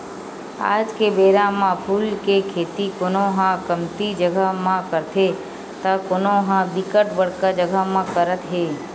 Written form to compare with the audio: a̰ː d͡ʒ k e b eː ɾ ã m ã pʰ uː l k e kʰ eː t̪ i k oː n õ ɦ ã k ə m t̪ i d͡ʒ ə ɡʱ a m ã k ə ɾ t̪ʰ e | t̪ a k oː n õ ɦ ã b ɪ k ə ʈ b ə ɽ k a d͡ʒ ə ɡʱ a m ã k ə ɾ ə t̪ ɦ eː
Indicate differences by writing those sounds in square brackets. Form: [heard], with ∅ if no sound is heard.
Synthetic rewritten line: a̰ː d͡ʒ k e b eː ɾ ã m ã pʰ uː l k e kʰ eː t̪ i k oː n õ ɦ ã k ə m t̪ i d͡ʒ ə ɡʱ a m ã k ə ɾ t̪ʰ e | t̪ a k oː n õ ɦ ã b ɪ k ə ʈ b ə ɽ k a d͡ʒ ə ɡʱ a m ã k ə ɾ ə t̪ ɦ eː